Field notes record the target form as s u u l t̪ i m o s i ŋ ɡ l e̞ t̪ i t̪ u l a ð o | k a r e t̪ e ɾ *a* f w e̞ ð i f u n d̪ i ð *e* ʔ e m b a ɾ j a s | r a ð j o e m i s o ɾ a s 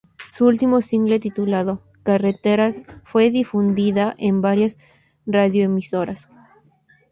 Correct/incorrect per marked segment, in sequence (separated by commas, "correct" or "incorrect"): correct, incorrect